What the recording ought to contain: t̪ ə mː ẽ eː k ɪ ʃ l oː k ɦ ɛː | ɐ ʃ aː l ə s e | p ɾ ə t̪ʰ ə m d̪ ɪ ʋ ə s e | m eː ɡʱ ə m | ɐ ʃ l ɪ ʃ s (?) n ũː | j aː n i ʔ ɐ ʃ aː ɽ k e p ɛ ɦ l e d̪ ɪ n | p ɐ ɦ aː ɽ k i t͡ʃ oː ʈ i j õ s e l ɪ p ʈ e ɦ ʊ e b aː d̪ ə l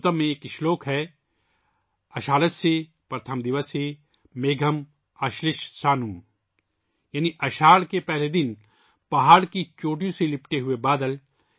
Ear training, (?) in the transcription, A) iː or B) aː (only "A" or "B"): B